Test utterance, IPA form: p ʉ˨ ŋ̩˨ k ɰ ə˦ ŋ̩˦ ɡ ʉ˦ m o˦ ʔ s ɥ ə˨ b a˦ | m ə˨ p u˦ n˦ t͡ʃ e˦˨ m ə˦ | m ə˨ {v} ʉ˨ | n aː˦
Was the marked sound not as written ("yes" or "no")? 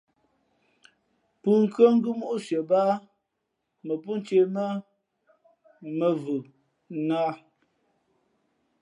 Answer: no